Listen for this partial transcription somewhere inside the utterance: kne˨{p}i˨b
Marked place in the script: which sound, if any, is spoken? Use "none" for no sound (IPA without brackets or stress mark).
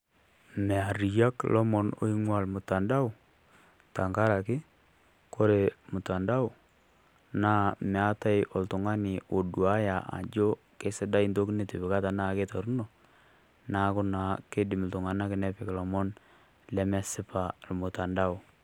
t